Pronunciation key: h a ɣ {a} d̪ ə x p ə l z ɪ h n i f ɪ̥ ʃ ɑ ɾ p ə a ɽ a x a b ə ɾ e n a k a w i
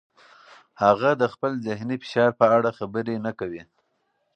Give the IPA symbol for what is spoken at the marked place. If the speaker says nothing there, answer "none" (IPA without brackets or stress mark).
a